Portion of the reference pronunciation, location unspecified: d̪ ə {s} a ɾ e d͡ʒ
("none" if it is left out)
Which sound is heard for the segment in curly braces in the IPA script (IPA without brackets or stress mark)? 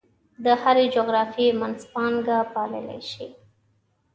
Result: h